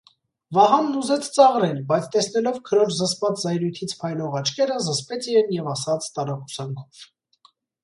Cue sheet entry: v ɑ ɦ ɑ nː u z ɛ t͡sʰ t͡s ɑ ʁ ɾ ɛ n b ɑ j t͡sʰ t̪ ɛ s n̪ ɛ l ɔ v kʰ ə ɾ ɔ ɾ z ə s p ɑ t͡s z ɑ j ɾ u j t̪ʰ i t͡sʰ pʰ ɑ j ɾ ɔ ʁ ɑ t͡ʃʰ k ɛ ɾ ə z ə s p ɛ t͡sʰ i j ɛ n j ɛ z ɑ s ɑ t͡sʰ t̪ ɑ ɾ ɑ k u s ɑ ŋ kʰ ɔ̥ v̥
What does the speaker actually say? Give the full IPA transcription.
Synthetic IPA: v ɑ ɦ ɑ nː u z ɛ t͡sʰ t͡s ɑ ʁ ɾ ɛ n b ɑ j t͡sʰ t̪ ɛ s n̪ ɛ l ɔ v kʰ ə ɾ ɔ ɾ z ə s p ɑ t͡s z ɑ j ɾ u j t̪ʰ i t͡sʰ pʰ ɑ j l ɔ ʁ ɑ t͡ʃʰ k ɛ ɾ ə z ə s p ɛ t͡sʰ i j ɛ n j ɛ v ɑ s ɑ t͡sʰ t̪ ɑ ɾ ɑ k u s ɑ ŋ kʰ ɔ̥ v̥